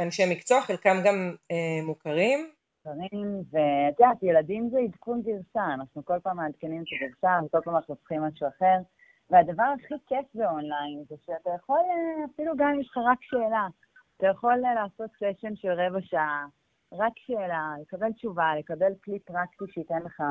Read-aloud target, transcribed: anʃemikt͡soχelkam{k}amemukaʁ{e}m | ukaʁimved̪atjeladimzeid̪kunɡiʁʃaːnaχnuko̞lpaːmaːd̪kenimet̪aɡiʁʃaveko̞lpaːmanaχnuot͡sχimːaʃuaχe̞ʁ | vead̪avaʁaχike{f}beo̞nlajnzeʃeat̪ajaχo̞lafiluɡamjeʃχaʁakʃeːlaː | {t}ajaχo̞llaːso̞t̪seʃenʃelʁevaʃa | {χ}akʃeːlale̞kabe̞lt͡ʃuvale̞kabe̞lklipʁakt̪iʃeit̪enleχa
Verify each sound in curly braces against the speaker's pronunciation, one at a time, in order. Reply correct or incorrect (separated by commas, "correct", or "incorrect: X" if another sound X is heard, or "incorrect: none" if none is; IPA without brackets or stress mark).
incorrect: ɡ, incorrect: i, correct, correct, incorrect: ʁ